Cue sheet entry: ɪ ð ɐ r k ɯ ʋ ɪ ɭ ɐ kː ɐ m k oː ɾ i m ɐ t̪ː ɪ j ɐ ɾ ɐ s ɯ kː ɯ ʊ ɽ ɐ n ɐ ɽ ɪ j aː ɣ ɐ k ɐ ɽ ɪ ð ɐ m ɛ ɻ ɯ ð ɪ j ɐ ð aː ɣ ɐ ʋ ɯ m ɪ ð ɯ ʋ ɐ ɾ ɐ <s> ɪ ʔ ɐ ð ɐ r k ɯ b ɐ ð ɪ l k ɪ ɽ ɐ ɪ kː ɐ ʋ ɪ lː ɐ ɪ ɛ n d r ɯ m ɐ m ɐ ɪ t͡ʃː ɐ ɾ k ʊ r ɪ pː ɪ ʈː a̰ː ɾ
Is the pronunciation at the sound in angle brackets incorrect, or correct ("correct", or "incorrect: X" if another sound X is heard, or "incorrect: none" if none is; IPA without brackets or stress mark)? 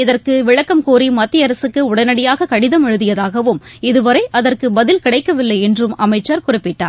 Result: incorrect: none